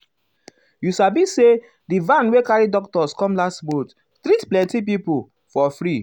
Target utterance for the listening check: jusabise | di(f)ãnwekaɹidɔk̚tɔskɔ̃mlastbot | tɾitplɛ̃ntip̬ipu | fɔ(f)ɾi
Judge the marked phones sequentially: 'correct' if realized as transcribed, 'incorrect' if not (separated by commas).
incorrect, correct